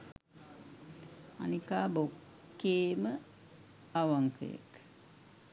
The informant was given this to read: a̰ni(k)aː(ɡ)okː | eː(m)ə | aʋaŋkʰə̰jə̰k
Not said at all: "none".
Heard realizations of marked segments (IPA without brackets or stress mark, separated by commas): k, b, m